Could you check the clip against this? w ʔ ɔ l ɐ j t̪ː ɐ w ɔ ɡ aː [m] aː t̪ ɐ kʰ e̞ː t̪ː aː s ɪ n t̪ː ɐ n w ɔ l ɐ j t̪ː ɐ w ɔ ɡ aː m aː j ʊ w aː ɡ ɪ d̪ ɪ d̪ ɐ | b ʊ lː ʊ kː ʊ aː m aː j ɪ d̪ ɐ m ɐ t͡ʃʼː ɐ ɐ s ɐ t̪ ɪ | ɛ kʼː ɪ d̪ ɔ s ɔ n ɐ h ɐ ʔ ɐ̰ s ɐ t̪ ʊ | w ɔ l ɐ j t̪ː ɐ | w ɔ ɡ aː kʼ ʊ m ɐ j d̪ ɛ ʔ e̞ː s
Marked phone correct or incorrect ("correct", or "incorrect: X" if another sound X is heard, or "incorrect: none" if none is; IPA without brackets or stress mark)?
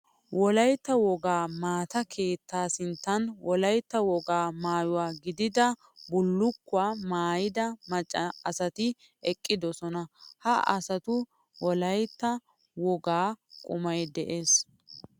correct